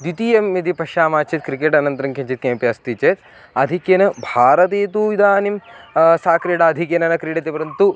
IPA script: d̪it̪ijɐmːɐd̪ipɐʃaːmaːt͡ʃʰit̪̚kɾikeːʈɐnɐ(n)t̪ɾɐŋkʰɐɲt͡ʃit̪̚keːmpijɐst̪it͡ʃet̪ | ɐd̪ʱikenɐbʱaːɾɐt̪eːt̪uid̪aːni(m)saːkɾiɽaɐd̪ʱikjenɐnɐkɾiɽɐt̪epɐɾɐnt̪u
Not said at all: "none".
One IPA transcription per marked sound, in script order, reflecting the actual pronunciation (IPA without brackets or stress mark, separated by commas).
n, m